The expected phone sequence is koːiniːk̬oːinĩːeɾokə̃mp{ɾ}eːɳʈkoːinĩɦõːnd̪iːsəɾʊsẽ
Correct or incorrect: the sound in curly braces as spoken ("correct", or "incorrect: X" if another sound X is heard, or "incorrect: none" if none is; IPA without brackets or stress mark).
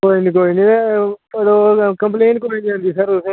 incorrect: l